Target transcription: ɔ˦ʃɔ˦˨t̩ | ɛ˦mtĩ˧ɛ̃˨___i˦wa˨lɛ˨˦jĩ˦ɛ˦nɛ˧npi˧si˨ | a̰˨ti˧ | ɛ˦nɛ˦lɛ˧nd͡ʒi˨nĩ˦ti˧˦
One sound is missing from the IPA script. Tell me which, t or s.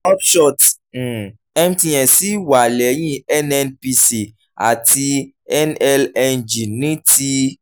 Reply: s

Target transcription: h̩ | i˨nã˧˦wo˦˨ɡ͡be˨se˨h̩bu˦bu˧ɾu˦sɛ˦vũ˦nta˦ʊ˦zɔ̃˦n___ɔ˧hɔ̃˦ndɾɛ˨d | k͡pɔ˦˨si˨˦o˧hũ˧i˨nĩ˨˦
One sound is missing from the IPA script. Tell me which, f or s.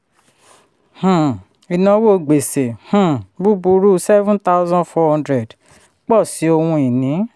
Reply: f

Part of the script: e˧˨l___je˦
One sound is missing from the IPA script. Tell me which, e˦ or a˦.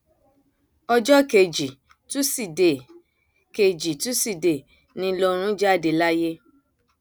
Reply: a˦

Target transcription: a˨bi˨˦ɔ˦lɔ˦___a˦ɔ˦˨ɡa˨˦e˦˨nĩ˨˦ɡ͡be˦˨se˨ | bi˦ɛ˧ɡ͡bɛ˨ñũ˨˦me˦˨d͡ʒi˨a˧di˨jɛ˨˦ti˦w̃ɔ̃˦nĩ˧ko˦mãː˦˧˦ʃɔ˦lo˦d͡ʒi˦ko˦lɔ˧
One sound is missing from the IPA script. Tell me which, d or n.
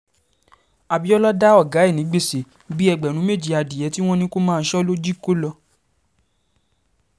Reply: d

